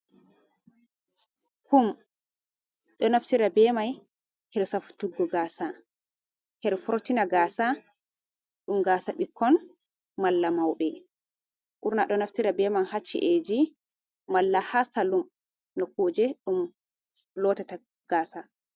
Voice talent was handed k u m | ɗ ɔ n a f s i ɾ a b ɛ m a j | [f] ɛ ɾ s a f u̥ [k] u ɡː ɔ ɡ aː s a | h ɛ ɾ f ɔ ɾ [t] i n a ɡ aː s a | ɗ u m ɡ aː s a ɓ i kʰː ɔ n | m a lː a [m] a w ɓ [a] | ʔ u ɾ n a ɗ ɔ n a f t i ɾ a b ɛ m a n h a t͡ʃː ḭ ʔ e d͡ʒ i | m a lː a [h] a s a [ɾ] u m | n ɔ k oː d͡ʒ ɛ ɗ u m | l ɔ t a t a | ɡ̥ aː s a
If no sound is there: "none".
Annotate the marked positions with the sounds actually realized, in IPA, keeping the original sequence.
h, t, t, m, ɛ, h, l

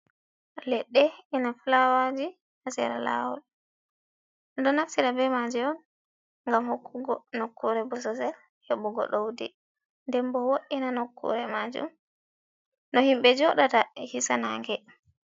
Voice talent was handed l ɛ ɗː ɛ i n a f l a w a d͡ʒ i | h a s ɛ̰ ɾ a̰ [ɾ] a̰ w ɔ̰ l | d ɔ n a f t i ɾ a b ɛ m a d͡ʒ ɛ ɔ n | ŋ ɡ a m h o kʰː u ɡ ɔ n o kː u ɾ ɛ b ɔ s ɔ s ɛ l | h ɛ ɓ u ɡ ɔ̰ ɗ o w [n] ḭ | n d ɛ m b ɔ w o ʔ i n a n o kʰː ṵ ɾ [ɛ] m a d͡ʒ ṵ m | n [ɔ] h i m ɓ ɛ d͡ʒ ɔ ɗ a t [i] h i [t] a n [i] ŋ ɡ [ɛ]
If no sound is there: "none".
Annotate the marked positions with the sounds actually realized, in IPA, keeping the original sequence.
l, d, ɛ, ɔ, a, s, a, ɛ

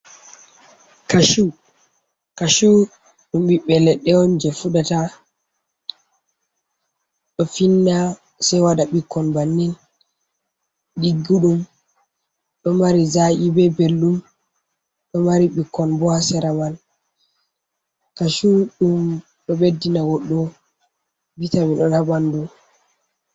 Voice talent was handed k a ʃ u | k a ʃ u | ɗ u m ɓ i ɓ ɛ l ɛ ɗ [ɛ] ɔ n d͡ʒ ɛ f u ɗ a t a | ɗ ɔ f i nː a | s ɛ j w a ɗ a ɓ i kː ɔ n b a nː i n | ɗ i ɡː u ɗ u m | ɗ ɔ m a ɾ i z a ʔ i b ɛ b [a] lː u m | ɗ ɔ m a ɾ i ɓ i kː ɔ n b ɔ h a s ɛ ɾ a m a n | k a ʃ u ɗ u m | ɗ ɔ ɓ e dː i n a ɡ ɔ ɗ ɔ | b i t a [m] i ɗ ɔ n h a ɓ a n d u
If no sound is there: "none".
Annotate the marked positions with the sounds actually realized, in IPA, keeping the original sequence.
ɛ, e, m

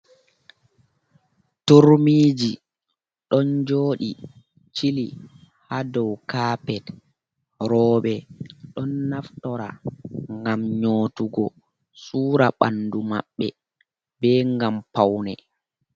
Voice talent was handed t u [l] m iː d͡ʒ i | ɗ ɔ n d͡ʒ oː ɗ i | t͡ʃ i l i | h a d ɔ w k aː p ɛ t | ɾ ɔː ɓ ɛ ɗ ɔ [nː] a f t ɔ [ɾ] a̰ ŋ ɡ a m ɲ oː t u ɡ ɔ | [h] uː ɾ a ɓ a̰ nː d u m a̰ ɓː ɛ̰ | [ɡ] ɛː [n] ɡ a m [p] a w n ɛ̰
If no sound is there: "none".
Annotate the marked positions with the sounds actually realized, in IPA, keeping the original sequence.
ɾ, nː, ɾ, s, b, ŋ, p

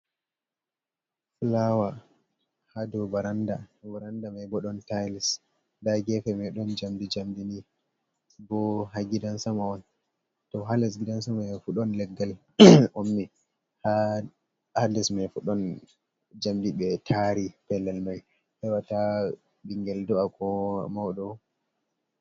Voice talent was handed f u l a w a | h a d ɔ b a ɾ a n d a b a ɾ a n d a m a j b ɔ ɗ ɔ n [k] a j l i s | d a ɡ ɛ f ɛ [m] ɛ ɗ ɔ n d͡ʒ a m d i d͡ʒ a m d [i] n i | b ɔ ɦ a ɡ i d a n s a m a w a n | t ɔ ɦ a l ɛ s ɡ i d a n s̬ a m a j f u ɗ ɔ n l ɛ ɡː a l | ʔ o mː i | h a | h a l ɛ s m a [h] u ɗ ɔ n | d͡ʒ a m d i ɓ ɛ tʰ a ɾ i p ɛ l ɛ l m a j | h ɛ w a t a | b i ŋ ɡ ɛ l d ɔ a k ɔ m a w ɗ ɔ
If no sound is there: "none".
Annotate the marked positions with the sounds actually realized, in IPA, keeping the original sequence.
t, m, i, f

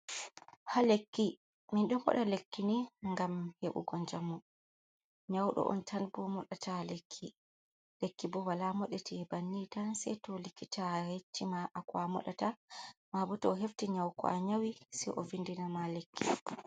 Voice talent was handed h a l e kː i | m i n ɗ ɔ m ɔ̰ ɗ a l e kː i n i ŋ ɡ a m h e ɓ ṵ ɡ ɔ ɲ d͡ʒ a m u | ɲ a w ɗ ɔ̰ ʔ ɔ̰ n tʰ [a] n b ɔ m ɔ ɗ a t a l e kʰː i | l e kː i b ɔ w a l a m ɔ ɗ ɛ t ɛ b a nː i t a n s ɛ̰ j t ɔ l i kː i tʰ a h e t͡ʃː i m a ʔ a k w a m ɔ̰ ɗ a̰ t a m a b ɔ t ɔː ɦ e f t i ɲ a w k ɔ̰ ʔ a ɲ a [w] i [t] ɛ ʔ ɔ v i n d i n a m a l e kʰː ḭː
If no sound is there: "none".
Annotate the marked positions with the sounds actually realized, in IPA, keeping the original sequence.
a, w, s

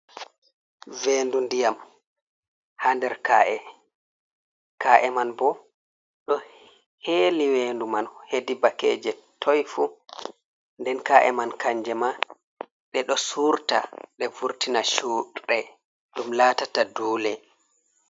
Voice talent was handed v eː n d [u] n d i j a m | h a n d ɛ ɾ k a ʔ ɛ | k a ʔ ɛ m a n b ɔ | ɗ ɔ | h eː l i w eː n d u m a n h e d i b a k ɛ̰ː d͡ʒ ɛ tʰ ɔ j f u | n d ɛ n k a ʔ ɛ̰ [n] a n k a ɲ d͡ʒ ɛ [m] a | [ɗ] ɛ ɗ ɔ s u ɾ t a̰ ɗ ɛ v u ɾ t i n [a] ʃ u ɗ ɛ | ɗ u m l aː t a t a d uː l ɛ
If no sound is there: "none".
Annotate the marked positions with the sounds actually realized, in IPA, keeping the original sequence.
u, m, m, ɗ, a

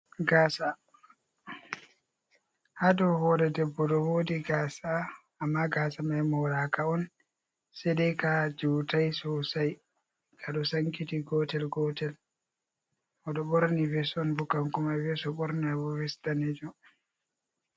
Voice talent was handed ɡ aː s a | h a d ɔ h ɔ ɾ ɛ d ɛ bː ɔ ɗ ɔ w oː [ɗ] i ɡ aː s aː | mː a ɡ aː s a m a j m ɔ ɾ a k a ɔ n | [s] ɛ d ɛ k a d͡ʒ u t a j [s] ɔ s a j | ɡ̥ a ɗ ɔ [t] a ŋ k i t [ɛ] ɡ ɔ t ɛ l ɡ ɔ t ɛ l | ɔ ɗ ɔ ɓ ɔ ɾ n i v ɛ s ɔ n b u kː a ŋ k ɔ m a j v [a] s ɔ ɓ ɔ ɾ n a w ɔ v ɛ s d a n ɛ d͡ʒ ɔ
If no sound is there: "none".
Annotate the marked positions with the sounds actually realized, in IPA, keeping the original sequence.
d, s, s, s, i, ɛ

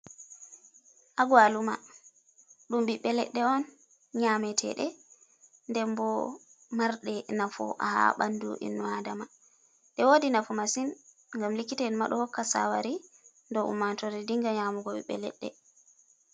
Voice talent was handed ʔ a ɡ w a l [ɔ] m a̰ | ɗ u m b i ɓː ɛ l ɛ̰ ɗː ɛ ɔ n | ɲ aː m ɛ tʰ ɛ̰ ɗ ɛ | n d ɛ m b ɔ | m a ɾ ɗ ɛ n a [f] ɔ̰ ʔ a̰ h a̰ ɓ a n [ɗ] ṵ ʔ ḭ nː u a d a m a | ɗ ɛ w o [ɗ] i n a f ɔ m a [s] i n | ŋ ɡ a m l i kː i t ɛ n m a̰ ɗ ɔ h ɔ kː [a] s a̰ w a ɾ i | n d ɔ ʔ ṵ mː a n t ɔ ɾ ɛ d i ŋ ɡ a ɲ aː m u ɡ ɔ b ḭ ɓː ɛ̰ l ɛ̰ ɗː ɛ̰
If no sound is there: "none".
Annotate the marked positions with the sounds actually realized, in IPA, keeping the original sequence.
u, f, d, d, s, a

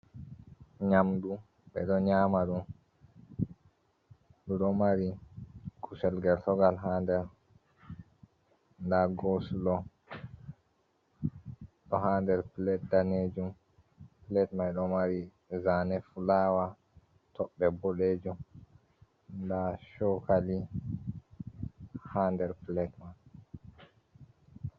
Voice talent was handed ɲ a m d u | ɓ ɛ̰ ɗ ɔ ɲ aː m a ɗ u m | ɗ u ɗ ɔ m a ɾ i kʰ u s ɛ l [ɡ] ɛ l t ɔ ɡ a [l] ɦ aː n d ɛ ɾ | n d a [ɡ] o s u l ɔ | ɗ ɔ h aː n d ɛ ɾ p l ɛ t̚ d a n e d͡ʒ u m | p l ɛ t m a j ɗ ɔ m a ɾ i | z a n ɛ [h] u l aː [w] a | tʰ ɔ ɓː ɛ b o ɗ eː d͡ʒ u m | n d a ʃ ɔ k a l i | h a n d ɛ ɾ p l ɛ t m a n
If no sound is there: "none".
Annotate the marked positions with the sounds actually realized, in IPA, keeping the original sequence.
ɡ, l, ɡ, f, w

